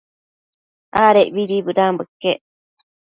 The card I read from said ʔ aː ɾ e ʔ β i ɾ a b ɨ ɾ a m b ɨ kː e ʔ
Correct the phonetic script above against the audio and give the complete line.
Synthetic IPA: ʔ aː ɾ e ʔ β i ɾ i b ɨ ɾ a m b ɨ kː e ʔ